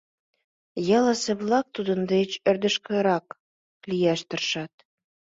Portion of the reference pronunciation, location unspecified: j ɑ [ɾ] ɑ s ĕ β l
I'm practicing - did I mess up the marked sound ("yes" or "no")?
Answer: yes